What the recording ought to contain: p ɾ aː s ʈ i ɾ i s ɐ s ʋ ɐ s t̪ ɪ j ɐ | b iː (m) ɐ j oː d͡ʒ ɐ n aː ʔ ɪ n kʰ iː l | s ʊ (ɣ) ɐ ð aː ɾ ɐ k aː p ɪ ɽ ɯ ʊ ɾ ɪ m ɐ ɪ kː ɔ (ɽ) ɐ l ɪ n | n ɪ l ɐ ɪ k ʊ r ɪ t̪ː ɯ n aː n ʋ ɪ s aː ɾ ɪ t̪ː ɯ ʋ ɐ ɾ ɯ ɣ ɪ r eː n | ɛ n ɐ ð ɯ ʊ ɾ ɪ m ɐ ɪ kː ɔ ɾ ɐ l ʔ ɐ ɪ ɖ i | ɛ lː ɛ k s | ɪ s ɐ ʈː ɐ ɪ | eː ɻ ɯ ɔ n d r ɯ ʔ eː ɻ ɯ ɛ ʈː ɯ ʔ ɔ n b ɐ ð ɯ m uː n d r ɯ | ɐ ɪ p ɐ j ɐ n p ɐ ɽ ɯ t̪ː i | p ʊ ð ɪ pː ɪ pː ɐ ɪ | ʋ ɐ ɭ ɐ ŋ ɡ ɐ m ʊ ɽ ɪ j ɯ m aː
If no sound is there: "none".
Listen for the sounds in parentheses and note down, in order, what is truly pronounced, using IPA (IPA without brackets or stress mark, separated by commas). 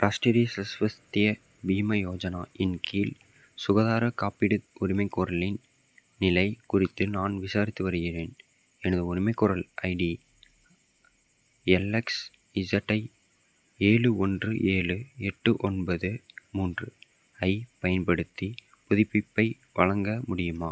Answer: m, ɣ, ɾ